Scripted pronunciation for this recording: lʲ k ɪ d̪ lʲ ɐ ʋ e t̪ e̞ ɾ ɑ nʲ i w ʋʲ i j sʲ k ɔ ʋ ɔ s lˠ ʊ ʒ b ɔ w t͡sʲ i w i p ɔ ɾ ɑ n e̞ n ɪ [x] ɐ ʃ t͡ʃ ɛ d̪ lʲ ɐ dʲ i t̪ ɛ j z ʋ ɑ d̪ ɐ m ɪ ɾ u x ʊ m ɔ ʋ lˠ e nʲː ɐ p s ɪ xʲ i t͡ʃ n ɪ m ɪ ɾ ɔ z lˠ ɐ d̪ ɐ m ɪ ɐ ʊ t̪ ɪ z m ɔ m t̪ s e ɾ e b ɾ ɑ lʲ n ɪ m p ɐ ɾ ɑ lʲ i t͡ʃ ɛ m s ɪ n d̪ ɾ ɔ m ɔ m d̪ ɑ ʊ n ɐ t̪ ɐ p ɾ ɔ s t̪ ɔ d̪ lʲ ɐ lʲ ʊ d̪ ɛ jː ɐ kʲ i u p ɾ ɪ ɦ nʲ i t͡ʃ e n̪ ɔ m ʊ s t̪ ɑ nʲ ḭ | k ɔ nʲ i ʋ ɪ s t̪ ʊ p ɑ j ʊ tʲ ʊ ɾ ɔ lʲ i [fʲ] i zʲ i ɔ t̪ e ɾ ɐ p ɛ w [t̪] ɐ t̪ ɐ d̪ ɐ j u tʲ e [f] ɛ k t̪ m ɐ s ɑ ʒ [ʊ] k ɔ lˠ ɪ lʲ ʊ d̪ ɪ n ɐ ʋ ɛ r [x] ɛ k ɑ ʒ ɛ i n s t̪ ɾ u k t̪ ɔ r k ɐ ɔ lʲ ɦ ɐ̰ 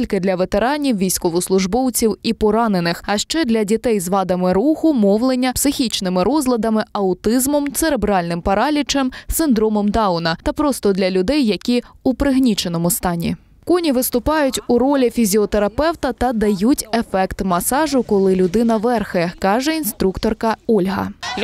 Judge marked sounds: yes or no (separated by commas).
yes, yes, yes, yes, yes, yes